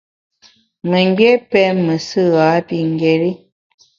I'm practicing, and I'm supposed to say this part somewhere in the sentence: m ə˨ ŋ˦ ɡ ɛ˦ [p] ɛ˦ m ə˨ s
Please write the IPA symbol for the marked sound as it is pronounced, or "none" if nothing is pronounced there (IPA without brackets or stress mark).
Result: p